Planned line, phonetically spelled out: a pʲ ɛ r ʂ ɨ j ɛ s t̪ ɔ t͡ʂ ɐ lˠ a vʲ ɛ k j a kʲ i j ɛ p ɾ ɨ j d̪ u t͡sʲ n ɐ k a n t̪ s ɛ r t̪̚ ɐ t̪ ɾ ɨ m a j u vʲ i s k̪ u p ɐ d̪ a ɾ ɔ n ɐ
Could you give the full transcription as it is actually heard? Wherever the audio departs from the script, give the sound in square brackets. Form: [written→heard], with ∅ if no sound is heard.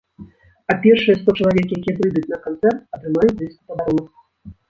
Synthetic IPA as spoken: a pʲ ɛ r ʂ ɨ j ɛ s t̪ ɔ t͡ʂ ɐ lˠ a vʲ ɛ k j a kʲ i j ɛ p ɾ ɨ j d̪ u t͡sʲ n ɐ k a n t̪ s ɛ r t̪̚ ɐ t̪ ɾ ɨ m a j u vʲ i s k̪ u p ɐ d̪ a ɾ ɔ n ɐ